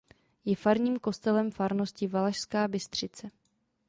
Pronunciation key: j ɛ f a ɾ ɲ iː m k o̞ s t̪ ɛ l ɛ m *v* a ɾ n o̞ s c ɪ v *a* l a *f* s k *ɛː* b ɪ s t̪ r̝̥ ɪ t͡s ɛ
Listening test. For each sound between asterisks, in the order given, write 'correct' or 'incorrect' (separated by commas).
incorrect, correct, incorrect, incorrect